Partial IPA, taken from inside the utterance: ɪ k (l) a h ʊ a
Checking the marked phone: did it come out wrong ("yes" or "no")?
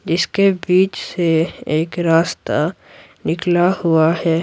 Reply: no